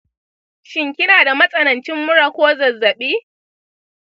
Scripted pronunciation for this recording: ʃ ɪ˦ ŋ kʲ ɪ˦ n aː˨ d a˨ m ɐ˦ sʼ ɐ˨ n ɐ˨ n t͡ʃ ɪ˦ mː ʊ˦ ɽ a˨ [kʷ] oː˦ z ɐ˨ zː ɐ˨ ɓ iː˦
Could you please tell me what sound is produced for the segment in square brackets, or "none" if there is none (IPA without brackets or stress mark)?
kʷ